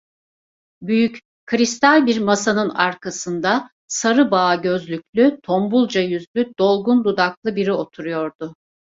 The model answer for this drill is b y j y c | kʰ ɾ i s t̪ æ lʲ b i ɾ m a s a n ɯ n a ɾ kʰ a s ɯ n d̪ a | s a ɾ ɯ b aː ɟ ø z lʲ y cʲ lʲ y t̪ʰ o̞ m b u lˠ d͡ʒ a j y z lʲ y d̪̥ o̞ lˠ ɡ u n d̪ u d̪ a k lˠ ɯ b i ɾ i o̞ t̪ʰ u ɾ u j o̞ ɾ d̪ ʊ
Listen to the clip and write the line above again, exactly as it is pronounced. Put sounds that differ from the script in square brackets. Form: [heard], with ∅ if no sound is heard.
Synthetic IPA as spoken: b y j y c | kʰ ɾ i s t̪ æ lʲ b i ɾ m a s a n ɯ n a ɾ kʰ a s ɯ n d̪ a | s a ɾ ɯ b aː ɟ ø z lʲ y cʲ lʲ y t̪ʰ o̞ m b u lˠ d͡ʒ a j y z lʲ y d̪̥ o̞ lˠ ɡ u n d̪ u d̪ a k lˠ ɯ b i ɾ i o̞ t̪ʰ u ɾ u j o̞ ɾ d̪ ʊ